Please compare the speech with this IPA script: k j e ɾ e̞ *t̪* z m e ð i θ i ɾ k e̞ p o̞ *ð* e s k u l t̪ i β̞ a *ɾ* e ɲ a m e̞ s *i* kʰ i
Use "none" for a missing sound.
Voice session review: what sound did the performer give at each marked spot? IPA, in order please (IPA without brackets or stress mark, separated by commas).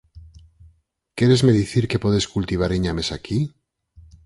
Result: none, ð, ɾ, a